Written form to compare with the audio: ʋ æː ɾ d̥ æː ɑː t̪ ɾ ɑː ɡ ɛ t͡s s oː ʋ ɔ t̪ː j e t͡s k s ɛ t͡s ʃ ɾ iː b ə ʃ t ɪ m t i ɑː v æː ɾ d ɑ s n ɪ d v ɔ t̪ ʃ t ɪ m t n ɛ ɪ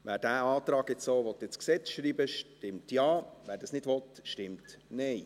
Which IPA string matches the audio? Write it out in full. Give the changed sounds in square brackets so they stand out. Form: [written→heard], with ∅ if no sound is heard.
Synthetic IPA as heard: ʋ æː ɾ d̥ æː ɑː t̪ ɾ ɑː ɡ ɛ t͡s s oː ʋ ɔ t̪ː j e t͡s k s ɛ t͡s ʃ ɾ iː b ə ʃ t ɪ m t [i→j] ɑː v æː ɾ d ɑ s n ɪ d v ɔ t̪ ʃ t ɪ m t n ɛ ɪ